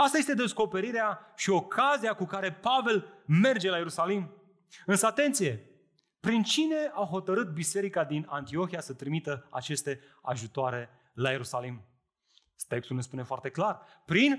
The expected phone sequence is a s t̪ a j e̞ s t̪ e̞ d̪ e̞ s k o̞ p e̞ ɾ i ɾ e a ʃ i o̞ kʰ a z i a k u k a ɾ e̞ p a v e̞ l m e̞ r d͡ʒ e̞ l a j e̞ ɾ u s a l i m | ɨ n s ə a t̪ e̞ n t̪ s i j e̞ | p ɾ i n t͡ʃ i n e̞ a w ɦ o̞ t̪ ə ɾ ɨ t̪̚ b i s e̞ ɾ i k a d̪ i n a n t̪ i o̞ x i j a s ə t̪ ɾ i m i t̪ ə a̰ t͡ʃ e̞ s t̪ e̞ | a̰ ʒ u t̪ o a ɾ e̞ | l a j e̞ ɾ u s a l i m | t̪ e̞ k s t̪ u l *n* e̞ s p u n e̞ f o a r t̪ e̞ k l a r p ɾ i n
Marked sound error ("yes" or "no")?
no